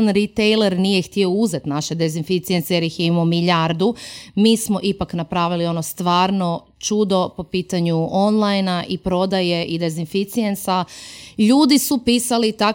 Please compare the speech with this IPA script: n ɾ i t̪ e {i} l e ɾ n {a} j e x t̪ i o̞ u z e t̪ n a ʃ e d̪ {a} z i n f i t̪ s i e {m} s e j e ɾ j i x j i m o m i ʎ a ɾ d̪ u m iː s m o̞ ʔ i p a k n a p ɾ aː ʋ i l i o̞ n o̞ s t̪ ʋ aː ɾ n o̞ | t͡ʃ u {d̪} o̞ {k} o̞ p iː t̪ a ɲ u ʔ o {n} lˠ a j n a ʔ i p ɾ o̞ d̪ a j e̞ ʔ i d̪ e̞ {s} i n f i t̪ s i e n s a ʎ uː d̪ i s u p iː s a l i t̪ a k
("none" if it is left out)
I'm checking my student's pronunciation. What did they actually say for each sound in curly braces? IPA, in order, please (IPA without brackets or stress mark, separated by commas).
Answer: j, i, e, n, d̪, p, n, z